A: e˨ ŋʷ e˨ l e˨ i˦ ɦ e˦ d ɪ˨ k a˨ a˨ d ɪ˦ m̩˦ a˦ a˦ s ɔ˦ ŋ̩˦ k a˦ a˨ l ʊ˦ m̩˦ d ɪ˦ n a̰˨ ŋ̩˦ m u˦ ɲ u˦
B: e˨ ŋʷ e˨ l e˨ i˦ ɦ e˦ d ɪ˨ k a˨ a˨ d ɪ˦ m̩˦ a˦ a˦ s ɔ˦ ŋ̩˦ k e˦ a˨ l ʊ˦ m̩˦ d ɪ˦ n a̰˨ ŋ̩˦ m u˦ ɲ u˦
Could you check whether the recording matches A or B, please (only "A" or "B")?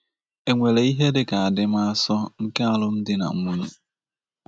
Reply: B